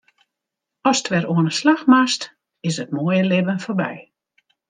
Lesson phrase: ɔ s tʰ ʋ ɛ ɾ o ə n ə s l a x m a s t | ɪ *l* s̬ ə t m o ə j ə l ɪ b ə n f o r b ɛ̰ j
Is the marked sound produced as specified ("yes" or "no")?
no